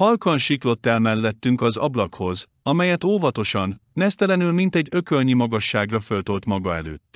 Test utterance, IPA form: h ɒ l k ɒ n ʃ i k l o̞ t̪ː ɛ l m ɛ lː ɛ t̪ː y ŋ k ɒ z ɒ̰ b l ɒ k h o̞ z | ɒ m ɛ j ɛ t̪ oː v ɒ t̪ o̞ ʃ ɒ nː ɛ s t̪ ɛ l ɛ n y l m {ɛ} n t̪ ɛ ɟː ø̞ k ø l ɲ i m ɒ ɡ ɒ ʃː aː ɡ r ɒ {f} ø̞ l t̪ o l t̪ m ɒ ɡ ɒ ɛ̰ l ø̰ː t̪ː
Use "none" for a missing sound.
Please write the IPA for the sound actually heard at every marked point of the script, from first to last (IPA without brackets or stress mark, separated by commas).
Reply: i, f